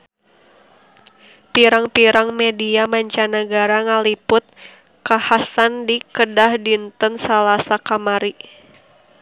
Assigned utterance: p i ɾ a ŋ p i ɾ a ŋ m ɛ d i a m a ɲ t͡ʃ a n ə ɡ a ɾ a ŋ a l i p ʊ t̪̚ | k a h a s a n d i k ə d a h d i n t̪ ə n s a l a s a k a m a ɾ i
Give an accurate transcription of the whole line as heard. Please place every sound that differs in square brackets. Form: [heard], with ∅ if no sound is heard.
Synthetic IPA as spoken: p i ɾ a ŋ p i ɾ a ŋ m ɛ d i a m a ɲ t͡ʃ a n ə ɡ a ɾ a ŋ a l i p ʊ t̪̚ | k a h a s a n d i k ə d a h d i n t̪ ə n s a l a s a k a m a ɾ i